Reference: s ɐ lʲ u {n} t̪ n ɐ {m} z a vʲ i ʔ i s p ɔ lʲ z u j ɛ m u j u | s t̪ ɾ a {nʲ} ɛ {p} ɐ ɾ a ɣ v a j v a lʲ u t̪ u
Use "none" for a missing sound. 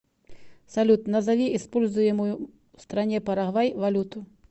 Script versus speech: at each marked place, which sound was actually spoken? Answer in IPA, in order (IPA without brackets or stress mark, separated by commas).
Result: none, none, nʲ, p